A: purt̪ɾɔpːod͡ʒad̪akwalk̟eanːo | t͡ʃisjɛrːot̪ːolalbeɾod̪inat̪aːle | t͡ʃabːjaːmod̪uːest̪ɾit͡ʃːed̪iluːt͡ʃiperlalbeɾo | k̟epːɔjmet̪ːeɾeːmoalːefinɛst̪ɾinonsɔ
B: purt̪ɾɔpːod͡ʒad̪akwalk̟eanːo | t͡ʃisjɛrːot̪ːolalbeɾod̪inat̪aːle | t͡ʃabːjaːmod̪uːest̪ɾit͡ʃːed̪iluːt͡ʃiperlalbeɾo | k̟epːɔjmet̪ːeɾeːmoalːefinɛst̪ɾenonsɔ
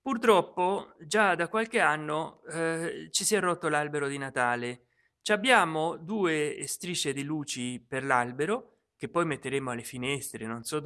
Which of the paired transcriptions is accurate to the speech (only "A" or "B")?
B